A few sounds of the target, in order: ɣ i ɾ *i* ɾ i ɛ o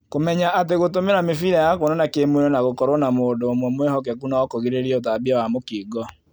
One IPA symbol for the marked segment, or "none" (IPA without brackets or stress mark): e